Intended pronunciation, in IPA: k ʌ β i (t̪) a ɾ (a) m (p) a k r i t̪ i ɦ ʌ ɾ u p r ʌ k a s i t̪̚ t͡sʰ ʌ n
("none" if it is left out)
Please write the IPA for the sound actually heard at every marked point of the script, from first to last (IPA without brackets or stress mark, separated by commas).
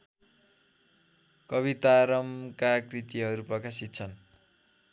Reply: t̪, ʌ, k